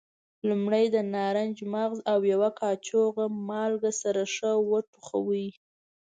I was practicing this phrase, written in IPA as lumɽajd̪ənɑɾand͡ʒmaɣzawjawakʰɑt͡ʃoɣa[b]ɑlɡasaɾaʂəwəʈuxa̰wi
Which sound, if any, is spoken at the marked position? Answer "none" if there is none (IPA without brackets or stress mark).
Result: m